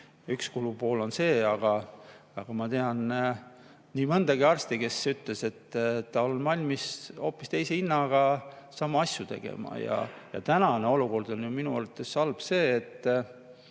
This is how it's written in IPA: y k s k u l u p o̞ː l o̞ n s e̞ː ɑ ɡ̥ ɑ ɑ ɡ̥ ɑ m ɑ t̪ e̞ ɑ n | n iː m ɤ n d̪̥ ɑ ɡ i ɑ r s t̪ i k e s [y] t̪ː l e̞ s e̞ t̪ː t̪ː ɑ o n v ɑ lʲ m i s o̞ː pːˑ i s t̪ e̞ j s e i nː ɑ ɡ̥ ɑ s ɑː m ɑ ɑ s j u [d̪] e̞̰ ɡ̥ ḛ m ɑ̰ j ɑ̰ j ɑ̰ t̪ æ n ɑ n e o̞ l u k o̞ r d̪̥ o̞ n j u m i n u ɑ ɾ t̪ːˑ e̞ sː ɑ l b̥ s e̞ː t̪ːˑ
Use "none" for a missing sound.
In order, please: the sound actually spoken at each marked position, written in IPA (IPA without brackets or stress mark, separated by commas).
y, t̪